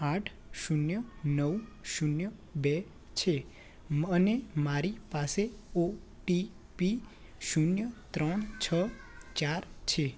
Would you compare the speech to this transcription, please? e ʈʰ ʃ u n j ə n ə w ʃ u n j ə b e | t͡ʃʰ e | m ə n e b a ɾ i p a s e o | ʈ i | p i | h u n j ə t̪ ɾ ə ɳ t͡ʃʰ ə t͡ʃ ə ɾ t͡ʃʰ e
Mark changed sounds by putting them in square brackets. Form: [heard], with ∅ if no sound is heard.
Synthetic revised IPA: [a] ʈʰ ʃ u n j ə n ə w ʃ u n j ə b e | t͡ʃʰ e | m ə n e [m] a ɾ i p a s e o | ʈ i | p i | [ʃ] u n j ə t̪ ɾ ə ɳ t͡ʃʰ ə t͡ʃ [a] ɾ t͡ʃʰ e